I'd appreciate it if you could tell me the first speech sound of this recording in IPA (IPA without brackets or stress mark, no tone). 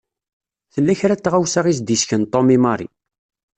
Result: θ